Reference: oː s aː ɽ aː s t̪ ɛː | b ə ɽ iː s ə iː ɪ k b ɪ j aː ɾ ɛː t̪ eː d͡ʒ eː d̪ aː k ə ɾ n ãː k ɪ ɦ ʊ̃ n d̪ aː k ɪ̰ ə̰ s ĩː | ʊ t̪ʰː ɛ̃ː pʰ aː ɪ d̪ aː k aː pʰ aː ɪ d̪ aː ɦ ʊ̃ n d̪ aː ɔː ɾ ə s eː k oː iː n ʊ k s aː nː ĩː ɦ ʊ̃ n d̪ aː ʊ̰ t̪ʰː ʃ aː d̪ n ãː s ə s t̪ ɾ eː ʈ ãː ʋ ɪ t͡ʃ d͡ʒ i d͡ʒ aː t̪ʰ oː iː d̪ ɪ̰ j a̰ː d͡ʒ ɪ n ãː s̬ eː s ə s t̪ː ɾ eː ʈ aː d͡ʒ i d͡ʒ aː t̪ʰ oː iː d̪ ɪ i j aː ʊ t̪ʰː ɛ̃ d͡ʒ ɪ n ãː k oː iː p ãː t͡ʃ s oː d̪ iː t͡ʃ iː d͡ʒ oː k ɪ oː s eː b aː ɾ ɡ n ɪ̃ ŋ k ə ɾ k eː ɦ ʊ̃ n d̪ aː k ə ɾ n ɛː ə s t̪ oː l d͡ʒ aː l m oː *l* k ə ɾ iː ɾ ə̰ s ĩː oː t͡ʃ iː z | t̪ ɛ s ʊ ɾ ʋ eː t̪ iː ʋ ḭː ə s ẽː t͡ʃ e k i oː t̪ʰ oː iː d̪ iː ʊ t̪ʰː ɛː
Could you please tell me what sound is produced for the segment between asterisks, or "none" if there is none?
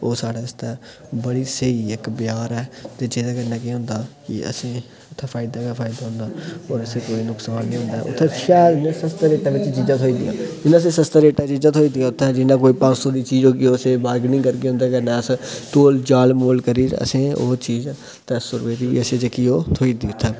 l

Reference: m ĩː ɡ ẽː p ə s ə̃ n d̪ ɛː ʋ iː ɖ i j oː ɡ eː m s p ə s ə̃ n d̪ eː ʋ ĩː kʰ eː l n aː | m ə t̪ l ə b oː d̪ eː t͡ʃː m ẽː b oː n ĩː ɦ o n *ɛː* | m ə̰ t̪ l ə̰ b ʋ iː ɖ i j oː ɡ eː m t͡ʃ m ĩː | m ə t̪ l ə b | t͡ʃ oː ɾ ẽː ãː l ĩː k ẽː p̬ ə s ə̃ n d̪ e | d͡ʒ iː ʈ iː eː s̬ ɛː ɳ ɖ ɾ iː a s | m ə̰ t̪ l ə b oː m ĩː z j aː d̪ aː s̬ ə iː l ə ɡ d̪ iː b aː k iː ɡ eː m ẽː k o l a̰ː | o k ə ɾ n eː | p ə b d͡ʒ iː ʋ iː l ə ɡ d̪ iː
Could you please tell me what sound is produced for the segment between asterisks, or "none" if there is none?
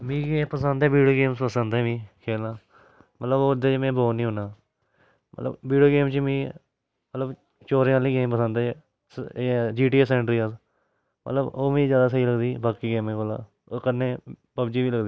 aː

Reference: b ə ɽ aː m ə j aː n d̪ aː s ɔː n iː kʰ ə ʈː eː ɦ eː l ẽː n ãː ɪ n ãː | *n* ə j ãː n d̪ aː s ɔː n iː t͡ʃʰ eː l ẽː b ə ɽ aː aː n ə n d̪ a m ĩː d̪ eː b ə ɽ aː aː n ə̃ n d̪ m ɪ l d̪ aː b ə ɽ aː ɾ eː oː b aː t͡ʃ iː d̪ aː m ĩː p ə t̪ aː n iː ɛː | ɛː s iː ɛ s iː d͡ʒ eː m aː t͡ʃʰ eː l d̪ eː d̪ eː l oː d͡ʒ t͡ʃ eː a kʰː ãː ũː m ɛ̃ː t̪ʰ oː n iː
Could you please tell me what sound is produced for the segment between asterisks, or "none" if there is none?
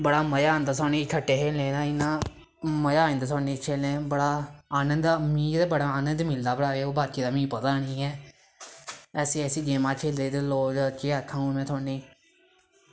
m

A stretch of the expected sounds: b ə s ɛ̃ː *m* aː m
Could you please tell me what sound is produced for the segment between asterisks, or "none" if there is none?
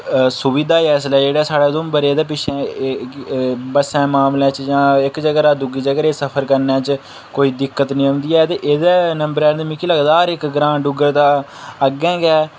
m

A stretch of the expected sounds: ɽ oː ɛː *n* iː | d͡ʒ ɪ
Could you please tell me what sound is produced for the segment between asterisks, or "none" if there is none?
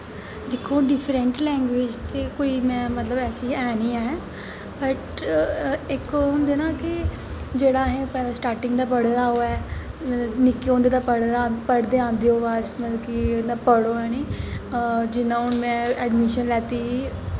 n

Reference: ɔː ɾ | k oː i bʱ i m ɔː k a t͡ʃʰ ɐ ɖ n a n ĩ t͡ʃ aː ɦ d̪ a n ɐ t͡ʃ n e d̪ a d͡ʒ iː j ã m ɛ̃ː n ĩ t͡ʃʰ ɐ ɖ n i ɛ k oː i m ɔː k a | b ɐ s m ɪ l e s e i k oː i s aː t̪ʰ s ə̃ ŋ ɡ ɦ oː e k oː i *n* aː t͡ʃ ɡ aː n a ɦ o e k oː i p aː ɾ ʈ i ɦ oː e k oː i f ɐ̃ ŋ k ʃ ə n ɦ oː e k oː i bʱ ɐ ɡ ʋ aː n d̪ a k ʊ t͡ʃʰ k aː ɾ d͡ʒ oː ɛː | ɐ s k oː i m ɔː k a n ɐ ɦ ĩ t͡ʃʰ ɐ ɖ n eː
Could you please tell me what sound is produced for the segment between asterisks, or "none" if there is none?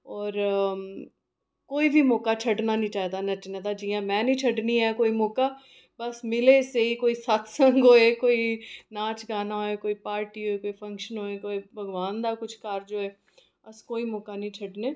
n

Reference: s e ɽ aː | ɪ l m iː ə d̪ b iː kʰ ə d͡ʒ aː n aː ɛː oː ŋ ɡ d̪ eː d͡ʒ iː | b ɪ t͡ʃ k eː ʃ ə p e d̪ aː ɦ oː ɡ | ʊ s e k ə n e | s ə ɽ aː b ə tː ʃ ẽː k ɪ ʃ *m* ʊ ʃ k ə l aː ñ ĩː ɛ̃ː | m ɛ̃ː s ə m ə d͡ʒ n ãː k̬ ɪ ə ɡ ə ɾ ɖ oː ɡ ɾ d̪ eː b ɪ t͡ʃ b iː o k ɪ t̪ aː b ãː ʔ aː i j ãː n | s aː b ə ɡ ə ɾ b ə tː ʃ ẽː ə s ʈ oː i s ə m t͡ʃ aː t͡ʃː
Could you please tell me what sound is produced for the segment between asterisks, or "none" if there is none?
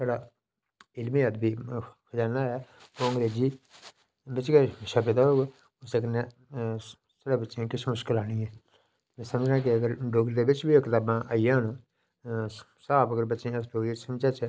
m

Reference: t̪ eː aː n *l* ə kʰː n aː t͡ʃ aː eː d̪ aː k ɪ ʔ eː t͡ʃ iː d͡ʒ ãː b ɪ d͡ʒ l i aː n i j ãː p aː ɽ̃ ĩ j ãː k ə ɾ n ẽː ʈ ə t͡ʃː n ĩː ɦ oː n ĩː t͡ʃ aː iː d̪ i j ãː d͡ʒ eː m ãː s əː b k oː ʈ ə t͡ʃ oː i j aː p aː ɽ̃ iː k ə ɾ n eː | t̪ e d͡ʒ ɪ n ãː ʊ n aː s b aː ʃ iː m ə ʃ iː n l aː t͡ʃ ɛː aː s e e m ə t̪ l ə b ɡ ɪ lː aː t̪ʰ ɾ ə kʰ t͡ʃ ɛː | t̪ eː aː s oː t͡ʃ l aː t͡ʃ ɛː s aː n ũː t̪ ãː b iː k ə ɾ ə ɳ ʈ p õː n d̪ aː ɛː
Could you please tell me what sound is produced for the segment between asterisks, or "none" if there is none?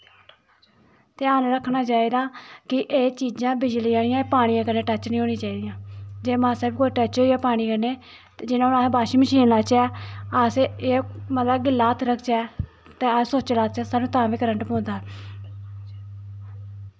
ɾ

